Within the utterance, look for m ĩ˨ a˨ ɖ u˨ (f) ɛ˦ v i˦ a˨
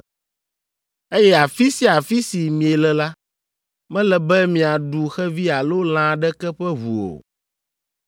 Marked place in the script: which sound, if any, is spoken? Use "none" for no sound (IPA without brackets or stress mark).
x